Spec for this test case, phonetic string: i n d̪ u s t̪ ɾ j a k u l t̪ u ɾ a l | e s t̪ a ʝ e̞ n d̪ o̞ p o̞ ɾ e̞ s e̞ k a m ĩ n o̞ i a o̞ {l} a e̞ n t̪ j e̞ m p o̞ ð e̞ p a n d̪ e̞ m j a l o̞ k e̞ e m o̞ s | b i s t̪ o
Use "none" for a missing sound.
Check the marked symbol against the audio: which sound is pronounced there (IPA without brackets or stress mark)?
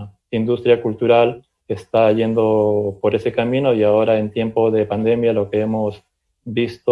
ɾ